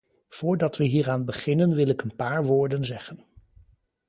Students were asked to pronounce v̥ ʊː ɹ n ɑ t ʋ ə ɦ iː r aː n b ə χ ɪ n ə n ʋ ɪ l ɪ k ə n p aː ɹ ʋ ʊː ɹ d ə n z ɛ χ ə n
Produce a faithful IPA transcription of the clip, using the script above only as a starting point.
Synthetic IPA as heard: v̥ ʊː ɹ d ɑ t ʋ ə ɦ iː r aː n b ə χ ɪ n ə n ʋ ɪ l ɪ k ə n p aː ɹ ʋ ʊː ɹ d ə n z ɛ χ ə n